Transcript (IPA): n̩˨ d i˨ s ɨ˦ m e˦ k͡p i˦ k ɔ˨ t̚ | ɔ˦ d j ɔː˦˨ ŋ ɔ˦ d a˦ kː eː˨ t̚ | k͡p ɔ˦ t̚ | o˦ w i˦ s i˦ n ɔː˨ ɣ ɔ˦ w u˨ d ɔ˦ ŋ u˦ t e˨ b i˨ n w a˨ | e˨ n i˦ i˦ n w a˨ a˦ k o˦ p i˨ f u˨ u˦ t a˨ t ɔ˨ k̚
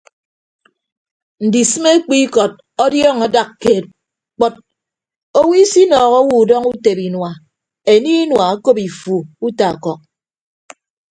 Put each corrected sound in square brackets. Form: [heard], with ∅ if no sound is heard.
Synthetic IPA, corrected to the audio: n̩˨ d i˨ s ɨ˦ m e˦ k͡p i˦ k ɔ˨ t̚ | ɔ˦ d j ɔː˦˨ ŋ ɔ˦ d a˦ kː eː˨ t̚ | k͡p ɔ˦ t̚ | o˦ w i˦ s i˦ n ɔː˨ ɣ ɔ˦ w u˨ d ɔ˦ ŋ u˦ t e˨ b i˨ n w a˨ | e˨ n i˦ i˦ n w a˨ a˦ k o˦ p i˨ f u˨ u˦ t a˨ [k] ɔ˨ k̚